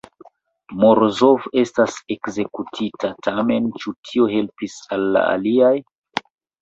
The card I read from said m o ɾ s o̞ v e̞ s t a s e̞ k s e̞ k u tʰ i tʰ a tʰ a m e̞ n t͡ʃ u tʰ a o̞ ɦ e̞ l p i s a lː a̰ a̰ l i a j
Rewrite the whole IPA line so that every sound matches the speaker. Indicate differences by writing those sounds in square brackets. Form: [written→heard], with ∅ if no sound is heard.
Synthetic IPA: m o ɾ [s→z] o̞ v e̞ s t a s e̞ k [s→z] e̞ k u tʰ i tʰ a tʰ a m e̞ n t͡ʃ u tʰ [a→i] o̞ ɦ e̞ l p i s a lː a̰ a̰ l i a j

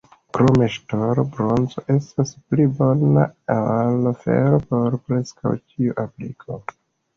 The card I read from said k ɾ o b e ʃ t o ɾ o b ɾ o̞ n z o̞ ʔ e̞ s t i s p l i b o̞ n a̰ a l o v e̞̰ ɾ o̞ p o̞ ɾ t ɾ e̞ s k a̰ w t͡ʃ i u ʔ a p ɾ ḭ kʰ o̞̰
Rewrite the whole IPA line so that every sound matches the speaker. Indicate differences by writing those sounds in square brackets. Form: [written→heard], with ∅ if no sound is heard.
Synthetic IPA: k ɾ o [b→m] e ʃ t o ɾ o b ɾ o̞ n z o̞ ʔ e̞ s t [i→a] s p l i b o̞ n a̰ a l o [v→f] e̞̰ ɾ o̞ p o̞ ɾ [t→p] ɾ e̞ s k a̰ w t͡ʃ i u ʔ a p [ɾ→l] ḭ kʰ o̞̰

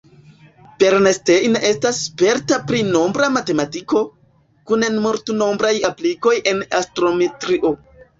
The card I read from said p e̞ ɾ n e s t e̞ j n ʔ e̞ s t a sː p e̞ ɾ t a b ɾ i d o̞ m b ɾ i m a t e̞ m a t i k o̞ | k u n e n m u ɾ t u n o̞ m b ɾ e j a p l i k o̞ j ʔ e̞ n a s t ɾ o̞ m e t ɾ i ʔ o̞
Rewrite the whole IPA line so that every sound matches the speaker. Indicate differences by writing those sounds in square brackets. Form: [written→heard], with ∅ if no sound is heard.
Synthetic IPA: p e̞ ɾ n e s t e̞ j n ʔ e̞ s t a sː p e̞ ɾ t a [b→p] ɾ i [d→n] o̞ m b ɾ [i→a] m a t e̞ m a t i k o̞ | k u n e n m u ɾ t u n o̞ m b ɾ [e→a] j a p l i k o̞ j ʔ e̞ n a s t ɾ o̞ m e t ɾ i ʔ o̞

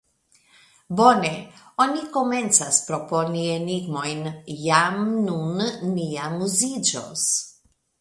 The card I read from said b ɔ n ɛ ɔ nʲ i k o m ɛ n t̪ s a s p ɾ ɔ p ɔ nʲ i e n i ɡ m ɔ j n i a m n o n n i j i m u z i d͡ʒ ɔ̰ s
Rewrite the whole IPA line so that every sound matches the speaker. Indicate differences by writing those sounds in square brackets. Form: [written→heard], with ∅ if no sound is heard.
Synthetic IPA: b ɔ n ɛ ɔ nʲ i k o m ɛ n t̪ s a s p ɾ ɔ p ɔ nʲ i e n i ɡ m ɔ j n [i→j] a m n [o→u] n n i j [i→a] m u z i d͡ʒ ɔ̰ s

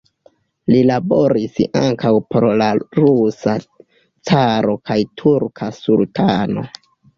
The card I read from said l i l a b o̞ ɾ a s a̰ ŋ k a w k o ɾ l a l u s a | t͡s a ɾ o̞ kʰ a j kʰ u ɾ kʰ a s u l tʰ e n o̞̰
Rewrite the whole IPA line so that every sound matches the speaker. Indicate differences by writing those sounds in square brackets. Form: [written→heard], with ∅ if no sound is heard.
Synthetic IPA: l i l a b o̞ ɾ [a→i] s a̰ ŋ k a w [k→p] o ɾ l a [l→ɾ] u s a | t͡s a ɾ o̞ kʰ a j [kʰ→tʰ] u ɾ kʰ a s u l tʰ [e→a] n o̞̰

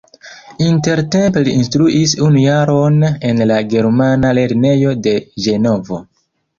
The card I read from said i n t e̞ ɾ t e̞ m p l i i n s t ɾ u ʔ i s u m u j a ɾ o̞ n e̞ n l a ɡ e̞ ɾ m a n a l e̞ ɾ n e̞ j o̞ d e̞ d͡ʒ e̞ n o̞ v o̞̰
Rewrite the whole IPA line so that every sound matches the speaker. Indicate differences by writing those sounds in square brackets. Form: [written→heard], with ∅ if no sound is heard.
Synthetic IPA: i n t e̞ ɾ t e̞ m p l i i n s t ɾ u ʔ i s u [m→n] u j a ɾ o̞ n e̞ n l a ɡ e̞ ɾ m a n a l e̞ ɾ n e̞ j o̞ d e̞ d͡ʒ e̞ n o̞ v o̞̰

